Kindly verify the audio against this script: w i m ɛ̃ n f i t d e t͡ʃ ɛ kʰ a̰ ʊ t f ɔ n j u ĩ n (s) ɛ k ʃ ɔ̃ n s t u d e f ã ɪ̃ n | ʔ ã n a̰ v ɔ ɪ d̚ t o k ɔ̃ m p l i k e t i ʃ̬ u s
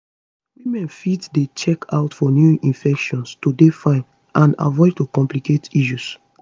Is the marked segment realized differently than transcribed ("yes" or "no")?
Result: yes